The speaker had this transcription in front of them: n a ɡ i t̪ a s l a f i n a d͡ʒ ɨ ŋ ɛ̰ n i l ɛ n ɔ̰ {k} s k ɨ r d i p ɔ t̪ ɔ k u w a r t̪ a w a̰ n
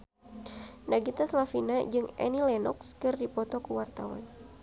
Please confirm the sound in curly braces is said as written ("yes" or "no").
yes